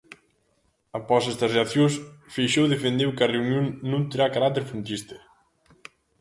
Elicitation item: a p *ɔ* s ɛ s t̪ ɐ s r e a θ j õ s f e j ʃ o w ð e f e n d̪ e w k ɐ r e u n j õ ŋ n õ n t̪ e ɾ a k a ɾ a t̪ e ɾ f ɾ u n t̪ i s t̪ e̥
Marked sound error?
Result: no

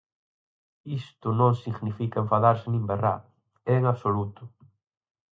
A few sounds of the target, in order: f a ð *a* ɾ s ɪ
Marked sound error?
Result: no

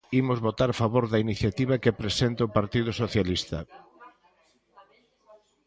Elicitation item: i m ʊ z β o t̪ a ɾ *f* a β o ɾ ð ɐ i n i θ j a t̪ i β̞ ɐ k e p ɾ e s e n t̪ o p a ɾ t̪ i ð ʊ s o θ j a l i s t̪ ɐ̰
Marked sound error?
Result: no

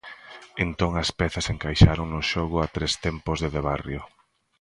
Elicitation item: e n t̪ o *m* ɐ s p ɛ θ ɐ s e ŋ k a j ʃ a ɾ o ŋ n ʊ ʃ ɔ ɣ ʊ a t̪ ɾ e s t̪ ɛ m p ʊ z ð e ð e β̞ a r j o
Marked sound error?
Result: yes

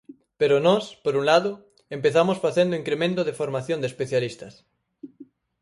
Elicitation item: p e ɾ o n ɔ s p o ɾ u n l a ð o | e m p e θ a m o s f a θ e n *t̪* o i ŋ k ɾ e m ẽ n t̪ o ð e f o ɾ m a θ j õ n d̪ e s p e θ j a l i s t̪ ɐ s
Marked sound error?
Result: yes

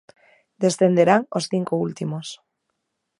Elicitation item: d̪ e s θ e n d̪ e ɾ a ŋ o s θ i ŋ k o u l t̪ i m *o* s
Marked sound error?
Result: no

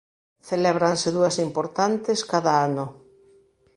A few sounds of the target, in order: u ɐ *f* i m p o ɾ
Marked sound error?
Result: yes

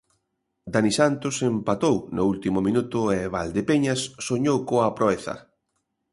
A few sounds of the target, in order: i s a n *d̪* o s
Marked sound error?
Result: yes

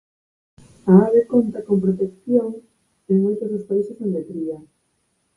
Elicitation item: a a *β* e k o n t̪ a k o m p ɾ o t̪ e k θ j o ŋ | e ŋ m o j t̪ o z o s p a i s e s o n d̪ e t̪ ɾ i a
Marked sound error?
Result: no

